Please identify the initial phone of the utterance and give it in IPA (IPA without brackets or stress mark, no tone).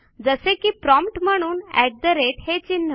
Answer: d͡z